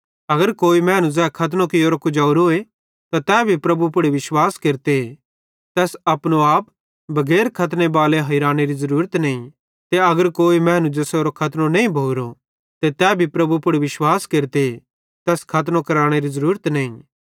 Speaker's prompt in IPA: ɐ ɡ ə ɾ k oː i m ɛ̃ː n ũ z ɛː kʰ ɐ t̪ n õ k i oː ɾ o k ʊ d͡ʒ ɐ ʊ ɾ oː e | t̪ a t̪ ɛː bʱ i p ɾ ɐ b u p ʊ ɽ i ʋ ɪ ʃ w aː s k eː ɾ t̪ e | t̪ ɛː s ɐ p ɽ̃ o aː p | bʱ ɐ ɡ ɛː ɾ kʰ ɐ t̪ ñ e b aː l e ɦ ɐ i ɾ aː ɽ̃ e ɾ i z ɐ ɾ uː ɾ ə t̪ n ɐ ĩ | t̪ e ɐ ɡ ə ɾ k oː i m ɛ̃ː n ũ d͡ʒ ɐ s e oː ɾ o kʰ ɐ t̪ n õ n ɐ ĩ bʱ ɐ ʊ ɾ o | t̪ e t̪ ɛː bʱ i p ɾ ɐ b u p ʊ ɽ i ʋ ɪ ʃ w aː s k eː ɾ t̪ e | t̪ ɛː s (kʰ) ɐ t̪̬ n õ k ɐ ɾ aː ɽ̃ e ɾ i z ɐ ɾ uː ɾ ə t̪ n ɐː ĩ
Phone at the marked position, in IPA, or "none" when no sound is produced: kʰ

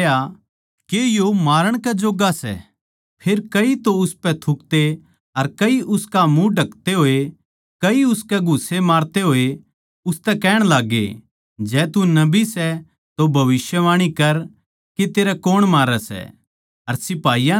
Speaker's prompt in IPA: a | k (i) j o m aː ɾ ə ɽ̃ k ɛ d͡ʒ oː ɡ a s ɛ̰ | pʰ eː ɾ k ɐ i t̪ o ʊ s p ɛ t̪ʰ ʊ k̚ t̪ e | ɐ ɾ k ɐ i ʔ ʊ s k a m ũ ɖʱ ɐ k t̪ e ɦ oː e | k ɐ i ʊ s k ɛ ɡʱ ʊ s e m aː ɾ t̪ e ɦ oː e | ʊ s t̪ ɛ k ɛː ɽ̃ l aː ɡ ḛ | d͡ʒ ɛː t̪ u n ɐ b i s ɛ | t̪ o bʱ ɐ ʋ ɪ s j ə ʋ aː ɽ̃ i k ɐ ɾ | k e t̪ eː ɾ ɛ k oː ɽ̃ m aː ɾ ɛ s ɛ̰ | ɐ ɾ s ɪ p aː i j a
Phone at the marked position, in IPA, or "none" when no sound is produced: e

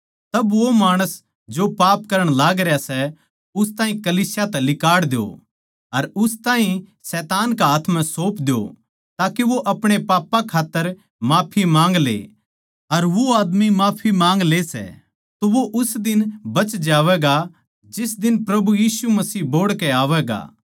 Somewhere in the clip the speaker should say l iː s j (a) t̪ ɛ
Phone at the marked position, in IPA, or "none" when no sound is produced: a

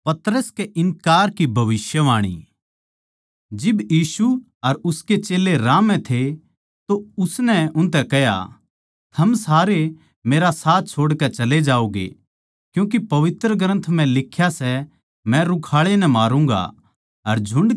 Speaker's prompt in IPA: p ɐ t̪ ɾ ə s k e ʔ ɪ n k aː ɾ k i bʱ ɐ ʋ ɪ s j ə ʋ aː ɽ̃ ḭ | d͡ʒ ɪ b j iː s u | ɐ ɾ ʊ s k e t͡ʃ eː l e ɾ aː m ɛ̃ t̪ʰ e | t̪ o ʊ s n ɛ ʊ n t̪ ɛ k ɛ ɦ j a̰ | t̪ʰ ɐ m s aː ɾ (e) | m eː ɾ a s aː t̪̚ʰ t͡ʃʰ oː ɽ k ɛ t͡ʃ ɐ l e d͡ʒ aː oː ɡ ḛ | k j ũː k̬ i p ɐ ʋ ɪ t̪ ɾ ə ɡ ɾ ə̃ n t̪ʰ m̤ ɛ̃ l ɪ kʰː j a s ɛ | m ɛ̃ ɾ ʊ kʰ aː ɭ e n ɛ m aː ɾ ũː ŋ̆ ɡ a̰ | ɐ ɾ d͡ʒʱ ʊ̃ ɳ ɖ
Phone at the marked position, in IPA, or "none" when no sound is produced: e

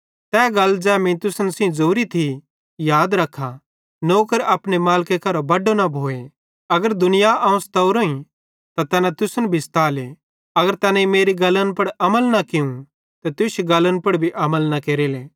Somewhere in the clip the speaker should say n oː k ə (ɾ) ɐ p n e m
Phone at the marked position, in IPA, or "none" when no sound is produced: ɾ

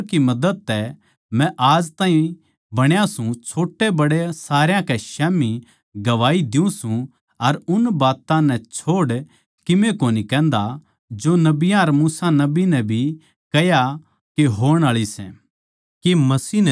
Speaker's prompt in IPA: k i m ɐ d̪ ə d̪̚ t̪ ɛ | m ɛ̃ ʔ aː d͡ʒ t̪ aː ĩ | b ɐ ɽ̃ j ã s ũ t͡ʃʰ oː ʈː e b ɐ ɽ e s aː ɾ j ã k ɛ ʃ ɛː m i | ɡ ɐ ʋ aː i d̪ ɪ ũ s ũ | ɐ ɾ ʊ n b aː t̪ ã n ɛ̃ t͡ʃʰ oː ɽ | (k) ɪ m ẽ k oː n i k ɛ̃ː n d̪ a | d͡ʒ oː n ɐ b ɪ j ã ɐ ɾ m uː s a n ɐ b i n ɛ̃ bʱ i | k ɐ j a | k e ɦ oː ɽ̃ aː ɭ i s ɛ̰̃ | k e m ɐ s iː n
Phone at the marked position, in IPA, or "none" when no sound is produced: k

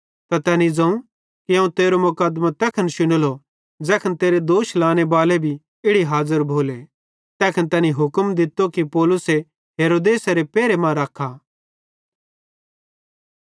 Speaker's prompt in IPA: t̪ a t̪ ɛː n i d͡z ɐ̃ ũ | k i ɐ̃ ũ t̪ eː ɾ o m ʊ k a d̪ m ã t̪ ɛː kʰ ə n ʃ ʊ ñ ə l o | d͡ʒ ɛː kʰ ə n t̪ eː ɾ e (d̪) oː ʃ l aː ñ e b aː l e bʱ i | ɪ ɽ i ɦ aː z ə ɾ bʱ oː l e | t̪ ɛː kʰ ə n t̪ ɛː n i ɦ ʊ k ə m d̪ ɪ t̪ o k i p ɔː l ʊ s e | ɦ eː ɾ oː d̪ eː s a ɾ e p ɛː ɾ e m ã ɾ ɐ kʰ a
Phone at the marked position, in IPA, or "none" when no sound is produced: d̪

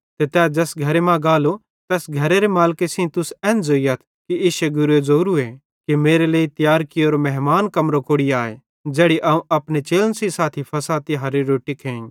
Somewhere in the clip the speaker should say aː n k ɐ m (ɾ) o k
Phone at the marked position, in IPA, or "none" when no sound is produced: ɾ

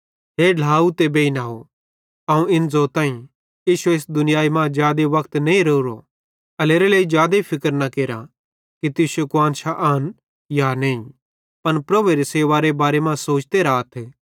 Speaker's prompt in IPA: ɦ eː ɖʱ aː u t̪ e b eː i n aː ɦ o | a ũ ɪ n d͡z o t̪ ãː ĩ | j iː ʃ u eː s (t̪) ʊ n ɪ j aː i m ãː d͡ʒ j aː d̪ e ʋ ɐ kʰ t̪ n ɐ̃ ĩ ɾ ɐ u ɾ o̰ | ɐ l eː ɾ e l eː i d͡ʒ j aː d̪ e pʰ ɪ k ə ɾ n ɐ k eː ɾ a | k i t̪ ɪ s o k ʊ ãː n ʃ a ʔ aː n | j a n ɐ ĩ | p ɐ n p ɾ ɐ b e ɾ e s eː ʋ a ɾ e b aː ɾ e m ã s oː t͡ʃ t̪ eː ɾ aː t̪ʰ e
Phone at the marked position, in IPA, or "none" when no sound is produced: d̪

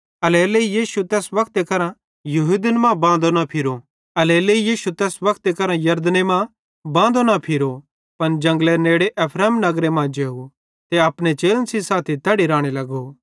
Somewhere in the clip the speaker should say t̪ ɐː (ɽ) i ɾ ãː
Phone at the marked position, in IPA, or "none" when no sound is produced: ɽ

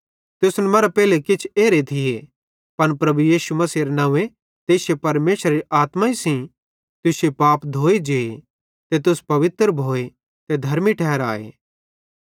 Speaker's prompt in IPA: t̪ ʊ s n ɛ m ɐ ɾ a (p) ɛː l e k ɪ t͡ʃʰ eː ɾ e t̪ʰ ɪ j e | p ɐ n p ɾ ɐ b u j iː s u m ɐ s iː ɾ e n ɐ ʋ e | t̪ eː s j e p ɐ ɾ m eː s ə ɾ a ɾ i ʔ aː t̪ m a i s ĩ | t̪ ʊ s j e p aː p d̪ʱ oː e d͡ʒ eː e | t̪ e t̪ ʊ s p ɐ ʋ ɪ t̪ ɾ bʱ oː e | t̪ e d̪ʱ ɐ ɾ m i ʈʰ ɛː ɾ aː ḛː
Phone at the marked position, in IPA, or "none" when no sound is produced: p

